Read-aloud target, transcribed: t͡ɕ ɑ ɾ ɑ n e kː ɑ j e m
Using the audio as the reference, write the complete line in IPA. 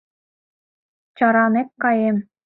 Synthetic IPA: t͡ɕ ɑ ɾ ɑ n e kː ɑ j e m